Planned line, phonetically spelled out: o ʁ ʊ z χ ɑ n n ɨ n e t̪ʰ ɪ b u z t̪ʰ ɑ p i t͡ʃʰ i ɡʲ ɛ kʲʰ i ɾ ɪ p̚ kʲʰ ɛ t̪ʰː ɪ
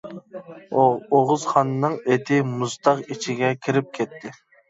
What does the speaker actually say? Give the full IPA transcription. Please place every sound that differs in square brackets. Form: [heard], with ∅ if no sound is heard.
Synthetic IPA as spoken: o ʁ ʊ z χ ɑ n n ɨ [ŋ] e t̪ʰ ɪ [m] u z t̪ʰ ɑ [q] i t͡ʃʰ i ɡʲ ɛ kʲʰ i ɾ ɪ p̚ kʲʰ ɛ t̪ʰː ɪ